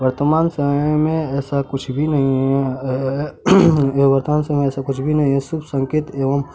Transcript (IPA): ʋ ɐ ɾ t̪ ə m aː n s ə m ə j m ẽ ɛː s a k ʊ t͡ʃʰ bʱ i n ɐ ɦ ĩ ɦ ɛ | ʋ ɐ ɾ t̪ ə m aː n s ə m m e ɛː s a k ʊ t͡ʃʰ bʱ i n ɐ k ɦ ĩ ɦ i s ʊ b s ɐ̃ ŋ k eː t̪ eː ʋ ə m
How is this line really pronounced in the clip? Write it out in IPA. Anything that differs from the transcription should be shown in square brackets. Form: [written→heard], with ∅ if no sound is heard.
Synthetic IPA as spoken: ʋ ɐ ɾ t̪ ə m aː n s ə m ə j m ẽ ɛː s a k ʊ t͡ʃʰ bʱ i n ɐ ɦ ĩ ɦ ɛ | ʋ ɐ ɾ t̪ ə m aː n s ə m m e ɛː s a k ʊ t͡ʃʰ bʱ i n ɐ [k→∅] ɦ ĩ ɦ [i→ɛ] s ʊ b s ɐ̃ ŋ k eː t̪ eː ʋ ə m